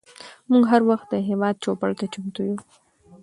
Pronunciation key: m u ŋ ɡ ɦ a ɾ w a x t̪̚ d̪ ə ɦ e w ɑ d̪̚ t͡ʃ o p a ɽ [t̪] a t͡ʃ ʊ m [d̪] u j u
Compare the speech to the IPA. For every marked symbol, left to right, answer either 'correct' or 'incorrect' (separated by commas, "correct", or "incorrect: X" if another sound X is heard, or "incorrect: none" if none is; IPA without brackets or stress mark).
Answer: correct, incorrect: t̪